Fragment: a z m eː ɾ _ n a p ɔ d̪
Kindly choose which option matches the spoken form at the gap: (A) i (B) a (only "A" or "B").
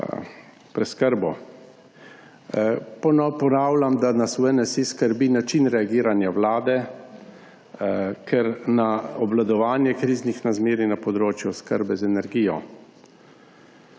A